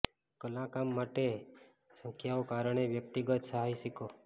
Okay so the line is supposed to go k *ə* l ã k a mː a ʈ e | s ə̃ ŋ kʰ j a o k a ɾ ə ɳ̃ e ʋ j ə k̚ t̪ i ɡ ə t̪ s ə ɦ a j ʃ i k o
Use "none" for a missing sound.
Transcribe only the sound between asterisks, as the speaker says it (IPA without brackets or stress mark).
ə